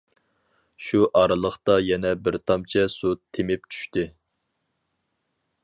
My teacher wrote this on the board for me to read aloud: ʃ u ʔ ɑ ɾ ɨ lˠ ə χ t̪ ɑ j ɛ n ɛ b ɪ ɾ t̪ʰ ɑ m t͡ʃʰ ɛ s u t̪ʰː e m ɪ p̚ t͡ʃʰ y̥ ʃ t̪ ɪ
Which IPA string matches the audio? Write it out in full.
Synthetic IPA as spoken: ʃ u ʔ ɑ ɾ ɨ lˠ ə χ t̪ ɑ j ɛ n ɛ b ɪ ɾ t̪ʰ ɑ m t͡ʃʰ ɛ s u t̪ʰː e m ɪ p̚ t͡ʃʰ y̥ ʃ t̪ ɪ